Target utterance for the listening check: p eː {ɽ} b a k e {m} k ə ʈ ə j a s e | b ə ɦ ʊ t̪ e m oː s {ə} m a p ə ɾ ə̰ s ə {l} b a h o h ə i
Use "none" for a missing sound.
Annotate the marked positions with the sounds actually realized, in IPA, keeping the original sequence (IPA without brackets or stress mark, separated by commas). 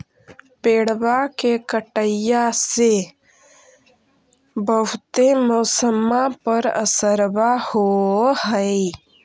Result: ɽ, none, ə, ɾ